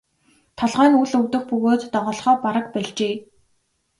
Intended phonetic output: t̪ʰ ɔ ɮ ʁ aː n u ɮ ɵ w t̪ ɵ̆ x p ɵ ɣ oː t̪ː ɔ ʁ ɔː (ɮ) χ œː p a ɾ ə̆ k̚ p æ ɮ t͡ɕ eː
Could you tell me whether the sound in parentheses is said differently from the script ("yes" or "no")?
no